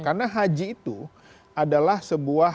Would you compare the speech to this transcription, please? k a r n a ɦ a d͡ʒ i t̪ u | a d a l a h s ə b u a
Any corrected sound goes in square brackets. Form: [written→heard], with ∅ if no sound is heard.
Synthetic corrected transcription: k a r n a ɦ a d͡ʒ [i→iː] t̪ u | a d a l a h s ə b u a